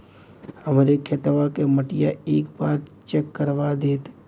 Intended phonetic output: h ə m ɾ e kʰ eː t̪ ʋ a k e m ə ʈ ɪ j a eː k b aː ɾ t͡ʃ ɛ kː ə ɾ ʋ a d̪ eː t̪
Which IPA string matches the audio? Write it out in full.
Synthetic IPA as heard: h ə m ɾ e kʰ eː t̪ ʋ a k e m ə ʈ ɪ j a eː k b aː ɾ t͡ʃ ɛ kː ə ɾ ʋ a d̪ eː t̪